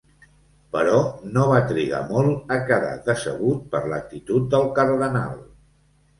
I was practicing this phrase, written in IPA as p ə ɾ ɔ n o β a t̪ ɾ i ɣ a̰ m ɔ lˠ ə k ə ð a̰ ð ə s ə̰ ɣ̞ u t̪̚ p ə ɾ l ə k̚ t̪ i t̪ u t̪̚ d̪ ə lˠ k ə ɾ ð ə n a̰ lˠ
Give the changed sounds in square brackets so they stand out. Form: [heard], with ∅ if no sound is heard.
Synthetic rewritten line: p ə ɾ ɔ n o β a t̪ ɾ i ɣ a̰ m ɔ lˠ ə k ə ð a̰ ð ə s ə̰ ɣ̞ u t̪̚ p ə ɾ l ə k̚ t̪ i t̪ u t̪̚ d̪ ə lˠ k ə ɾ ð ə n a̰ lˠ